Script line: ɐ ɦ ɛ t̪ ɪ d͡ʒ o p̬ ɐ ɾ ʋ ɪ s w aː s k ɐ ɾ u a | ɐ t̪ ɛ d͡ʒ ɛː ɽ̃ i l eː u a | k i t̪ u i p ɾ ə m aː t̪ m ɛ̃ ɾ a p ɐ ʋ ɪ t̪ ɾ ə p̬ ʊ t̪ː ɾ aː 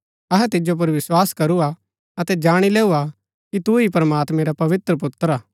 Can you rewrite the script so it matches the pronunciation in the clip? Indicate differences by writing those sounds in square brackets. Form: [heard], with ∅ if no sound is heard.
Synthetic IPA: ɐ ɦ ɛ t̪ ɪ d͡ʒ o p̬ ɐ ɾ ʋ ɪ s w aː s k ɐ ɾ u a | ɐ t̪ ɛ d͡ʒ [aː] ɽ̃ i l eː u a | k i t̪ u i p ɾ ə m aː t̪ m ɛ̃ ɾ a p ɐ ʋ ɪ t̪ ɾ ə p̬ ʊ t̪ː ɾ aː